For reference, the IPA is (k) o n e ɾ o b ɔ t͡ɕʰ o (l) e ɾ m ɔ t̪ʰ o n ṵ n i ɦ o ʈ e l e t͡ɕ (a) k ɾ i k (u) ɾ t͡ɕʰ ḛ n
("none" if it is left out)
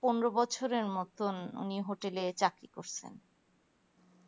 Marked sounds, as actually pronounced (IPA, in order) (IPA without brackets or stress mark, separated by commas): p, ɾ, a, o